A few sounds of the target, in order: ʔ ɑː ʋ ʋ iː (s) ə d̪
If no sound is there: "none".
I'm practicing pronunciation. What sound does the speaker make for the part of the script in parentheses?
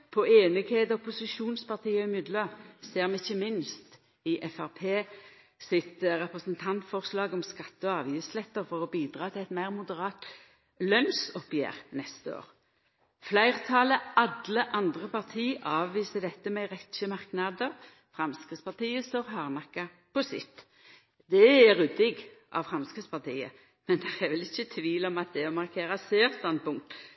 s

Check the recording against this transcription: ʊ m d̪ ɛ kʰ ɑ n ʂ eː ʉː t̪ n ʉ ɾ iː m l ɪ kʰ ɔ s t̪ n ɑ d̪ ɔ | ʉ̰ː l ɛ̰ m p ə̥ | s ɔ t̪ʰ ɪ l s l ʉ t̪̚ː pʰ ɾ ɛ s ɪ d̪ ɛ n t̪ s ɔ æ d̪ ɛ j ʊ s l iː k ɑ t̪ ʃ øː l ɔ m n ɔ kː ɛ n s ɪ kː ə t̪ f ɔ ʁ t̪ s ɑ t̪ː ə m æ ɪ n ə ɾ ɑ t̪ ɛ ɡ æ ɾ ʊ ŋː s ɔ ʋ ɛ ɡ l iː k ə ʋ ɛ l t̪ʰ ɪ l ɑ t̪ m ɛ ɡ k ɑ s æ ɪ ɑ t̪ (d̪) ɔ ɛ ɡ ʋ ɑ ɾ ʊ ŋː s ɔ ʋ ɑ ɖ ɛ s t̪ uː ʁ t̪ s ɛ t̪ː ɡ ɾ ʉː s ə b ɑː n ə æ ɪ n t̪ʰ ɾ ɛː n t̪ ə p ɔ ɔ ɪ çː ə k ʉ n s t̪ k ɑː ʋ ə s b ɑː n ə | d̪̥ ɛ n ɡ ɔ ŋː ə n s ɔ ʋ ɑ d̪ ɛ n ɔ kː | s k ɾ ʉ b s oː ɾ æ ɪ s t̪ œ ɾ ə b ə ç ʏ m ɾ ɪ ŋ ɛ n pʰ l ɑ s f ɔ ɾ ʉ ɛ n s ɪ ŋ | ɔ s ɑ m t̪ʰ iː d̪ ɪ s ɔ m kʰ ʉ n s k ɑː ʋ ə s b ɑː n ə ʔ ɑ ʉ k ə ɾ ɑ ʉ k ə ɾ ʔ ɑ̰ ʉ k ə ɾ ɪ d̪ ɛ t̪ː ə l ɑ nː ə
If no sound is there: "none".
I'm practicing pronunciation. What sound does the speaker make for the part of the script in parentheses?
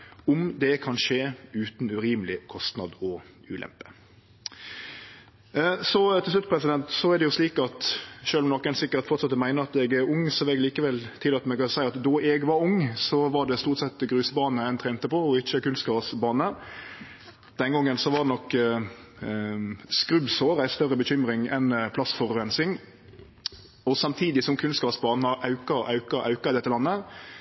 d̪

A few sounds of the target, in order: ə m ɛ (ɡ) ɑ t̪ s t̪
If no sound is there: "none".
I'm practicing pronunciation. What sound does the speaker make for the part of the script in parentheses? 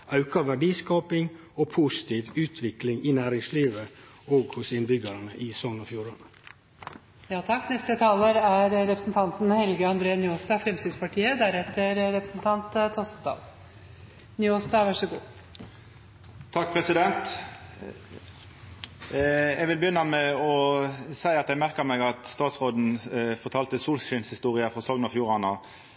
ɡ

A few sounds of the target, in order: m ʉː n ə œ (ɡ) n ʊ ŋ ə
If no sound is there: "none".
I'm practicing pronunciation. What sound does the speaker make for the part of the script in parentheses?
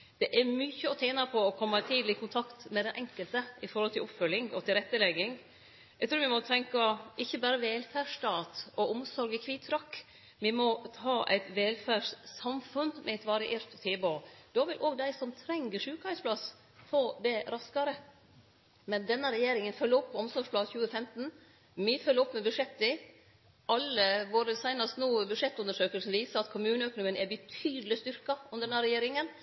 k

